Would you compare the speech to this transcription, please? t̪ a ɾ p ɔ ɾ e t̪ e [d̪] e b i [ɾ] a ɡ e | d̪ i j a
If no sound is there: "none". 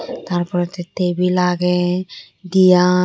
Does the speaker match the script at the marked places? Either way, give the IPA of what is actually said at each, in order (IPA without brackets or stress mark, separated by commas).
t̪, l